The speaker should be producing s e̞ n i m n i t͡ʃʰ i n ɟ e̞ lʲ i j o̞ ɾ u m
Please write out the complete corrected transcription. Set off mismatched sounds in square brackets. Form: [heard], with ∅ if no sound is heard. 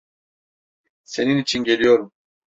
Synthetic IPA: s e̞ n i [∅] n i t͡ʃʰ i n ɟ e̞ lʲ i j o̞ ɾ u m